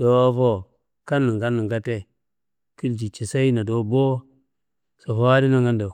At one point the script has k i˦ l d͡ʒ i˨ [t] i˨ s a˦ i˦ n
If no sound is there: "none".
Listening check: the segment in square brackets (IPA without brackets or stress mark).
t͡ʃ